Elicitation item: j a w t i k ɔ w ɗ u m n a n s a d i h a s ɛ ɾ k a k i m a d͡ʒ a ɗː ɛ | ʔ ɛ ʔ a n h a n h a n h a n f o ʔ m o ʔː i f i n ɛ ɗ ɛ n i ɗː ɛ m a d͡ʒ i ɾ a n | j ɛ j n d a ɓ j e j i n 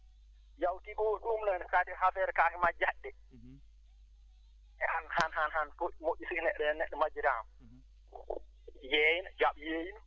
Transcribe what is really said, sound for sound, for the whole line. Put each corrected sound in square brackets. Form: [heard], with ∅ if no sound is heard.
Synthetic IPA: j a w t i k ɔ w ɗ u m n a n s a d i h a [f] ɛ ɾ k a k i m a d͡ʒ a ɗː ɛ | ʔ ɛ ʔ a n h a n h a n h a n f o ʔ m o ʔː i [s] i n ɛ ɗ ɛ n [ɛ] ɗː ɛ m a d͡ʒ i ɾ a [m] | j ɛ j n [d͡ʒ] a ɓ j e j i n